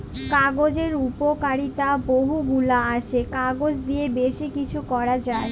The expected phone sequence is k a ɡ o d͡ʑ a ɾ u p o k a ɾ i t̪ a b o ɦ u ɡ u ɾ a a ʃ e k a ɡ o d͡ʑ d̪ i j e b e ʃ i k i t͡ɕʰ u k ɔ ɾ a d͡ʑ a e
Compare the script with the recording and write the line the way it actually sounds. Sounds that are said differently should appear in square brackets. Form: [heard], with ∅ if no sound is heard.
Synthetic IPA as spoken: k a ɡ o d͡ʑ [e] ɾ u p o k a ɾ i t̪ a b o ɦ u ɡ u [l] a a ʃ e k a ɡ o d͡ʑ d̪ i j e b e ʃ i k i t͡ɕʰ u k ɔ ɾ a d͡ʑ a e